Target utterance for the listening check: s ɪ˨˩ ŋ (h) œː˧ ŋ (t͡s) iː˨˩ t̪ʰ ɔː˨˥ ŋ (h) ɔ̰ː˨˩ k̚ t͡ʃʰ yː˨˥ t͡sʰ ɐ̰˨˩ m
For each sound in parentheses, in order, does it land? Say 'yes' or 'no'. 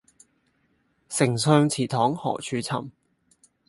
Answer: no, no, yes

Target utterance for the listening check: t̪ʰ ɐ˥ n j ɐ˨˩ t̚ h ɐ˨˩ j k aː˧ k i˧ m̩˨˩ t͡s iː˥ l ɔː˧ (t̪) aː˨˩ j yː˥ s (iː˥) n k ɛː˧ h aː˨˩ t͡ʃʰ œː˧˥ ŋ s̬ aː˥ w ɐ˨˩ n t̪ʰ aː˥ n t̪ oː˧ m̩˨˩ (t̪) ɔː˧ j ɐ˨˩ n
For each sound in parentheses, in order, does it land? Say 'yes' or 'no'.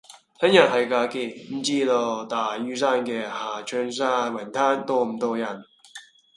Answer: yes, no, yes

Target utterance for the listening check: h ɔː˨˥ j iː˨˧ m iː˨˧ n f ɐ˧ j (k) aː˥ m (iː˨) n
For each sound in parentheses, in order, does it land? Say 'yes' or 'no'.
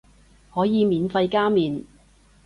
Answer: yes, yes

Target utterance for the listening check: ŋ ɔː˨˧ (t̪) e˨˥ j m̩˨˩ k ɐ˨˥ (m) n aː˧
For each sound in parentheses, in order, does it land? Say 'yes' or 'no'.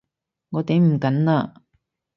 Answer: yes, no

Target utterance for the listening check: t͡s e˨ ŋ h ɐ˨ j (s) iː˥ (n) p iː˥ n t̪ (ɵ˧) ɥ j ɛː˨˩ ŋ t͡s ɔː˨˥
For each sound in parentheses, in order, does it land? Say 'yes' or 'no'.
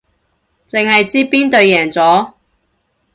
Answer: no, no, yes

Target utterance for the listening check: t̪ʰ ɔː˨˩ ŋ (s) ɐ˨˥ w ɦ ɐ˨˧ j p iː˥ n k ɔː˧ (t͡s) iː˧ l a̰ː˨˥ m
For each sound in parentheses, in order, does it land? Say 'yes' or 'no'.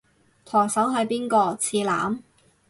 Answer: yes, no

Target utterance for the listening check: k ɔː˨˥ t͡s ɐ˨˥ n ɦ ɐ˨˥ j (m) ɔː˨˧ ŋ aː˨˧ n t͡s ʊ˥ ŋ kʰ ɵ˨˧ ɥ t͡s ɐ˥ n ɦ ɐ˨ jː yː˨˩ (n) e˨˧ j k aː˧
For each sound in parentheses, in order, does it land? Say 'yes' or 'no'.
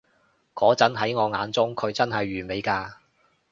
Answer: no, no

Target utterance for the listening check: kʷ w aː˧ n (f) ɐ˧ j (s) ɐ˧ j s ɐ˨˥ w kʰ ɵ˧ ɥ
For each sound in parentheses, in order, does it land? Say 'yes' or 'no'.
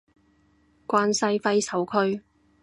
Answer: no, no

